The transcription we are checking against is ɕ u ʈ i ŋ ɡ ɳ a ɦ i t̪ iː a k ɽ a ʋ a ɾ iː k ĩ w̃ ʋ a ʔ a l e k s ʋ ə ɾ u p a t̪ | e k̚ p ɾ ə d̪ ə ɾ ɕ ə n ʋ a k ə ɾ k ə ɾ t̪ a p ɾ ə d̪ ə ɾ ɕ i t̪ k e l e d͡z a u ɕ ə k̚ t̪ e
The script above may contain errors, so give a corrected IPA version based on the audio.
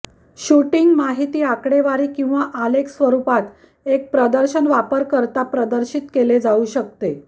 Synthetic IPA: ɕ u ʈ i ŋ ɡ m a ɦ i t̪ iː a k ɽ e ʋ a ɾ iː k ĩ w̃ ʋ a ʔ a l e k s ʋ ə ɾ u p a t̪ | e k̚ p ɾ ə d̪ ə ɾ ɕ ə n ʋ a p ə ɾ k ə ɾ t̪ a p ɾ ə d̪ ə ɾ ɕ i t̪ k e l e d͡z a u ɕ ə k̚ t̪ e